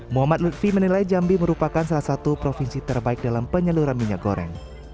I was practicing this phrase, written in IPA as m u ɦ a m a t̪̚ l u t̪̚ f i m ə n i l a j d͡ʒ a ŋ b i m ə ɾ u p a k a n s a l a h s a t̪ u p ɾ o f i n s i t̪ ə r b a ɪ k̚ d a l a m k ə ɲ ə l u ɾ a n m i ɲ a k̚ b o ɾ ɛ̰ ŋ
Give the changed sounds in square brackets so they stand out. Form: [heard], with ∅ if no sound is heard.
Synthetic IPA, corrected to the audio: m u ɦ a m a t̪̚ l u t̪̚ f i m ə n i l a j d͡ʒ a [m] b i m ə ɾ u p a k a n s a l a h s a t̪ u p ɾ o f i n s i t̪ ə r b a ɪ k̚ d a l a m [p] ə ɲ ə l u ɾ a n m i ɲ a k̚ [ɡ] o ɾ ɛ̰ ŋ